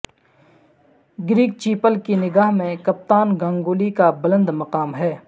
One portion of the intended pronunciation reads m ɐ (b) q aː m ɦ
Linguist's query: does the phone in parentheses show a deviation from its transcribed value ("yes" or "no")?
yes